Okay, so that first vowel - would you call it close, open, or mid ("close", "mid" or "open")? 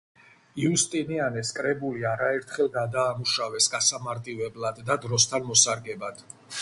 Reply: close